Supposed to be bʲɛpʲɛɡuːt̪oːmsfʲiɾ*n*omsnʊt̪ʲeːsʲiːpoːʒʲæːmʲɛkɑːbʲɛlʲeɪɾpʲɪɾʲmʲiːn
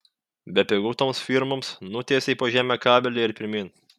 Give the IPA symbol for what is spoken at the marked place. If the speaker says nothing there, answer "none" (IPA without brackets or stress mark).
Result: m